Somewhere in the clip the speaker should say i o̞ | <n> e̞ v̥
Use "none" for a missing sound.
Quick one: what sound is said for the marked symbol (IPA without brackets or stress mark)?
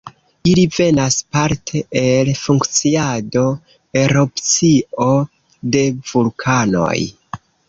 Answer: d